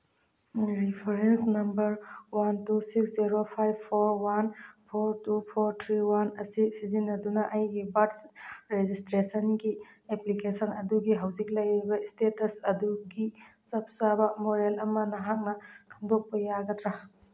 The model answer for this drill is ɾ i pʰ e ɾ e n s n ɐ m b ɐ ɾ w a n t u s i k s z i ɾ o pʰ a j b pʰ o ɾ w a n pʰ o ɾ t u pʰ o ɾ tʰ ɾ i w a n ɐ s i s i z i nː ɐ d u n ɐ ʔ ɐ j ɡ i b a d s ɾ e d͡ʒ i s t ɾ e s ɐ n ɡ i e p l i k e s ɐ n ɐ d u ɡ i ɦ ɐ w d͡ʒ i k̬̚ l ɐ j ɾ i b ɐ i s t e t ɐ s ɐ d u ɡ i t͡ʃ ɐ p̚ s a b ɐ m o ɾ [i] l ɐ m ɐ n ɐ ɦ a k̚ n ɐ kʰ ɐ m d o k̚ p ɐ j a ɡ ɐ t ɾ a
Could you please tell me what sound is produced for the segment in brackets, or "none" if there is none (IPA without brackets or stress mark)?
e